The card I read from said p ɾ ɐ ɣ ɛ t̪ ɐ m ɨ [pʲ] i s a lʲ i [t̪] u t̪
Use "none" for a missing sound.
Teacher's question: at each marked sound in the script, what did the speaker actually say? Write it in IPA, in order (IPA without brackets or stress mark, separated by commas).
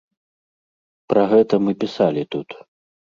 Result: pʲ, t̪